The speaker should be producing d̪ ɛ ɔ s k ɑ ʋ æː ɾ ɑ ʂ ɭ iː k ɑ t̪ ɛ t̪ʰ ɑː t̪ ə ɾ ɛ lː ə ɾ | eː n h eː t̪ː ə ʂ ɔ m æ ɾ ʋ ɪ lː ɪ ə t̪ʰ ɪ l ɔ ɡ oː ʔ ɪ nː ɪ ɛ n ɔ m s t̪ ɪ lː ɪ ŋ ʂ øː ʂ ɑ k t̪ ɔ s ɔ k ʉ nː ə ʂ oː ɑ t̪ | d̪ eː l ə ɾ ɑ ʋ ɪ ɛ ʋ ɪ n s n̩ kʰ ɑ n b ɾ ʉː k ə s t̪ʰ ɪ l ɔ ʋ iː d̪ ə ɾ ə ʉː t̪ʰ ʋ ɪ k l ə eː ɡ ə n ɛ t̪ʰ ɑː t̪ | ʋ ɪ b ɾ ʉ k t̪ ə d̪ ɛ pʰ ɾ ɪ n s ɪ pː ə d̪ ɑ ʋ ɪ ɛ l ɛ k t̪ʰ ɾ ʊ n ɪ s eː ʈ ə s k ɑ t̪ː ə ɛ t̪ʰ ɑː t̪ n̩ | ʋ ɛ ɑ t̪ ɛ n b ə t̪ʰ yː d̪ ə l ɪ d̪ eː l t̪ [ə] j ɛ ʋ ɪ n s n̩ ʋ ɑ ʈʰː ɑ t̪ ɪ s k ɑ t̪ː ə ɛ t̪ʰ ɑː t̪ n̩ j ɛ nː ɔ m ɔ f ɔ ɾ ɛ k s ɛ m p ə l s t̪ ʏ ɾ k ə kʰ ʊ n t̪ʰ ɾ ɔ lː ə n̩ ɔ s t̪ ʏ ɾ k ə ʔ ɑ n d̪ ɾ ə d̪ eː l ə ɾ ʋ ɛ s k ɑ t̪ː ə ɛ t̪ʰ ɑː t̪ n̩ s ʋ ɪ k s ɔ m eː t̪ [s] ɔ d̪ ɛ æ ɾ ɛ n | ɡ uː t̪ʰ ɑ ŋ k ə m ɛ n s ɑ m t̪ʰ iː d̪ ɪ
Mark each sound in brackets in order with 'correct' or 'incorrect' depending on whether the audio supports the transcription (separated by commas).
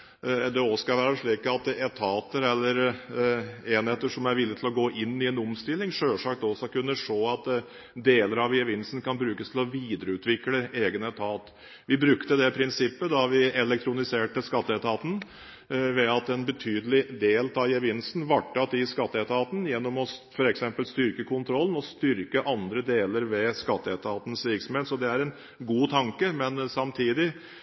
incorrect, correct